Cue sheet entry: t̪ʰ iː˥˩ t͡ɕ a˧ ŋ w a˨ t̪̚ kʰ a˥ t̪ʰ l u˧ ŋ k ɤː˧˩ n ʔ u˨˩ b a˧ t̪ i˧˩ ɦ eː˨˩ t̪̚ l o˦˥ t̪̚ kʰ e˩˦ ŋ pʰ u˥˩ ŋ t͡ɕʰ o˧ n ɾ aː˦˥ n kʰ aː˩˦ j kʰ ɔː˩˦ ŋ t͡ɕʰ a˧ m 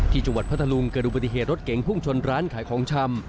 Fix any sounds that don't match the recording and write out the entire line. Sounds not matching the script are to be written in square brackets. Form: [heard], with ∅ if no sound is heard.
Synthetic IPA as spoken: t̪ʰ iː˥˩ t͡ɕ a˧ ŋ w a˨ t̪̚ [pʰ] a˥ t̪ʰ l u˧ ŋ k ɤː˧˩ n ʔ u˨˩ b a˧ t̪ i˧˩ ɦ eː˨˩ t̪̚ [ɾ] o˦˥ t̪̚ [k] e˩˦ ŋ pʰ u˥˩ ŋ t͡ɕʰ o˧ n ɾ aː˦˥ n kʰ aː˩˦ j kʰ ɔː˩˦ ŋ t͡ɕʰ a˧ m